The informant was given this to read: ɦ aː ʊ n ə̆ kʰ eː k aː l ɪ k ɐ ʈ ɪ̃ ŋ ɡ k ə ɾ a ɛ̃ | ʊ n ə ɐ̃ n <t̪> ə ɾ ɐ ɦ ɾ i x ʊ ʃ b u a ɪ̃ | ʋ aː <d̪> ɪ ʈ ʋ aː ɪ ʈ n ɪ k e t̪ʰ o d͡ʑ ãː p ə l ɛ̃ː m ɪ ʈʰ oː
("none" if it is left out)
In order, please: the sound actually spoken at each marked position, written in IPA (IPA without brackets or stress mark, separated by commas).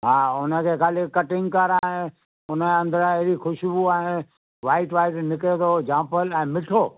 d̪, none